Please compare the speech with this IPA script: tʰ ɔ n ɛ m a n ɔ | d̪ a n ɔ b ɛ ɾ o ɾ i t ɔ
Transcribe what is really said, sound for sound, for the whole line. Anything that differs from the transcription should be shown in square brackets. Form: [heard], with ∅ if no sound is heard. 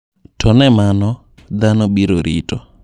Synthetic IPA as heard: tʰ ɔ n ɛ m a n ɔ | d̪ a n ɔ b [i] ɾ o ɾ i t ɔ